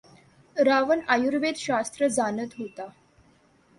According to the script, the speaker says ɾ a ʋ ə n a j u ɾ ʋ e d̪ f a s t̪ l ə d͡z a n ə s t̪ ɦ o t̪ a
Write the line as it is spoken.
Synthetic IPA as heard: ɾ a ʋ ə n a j u ɾ ʋ e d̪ ɕ a s t̪ ɾ ə d͡z a n ə t̪ ɦ o t̪ a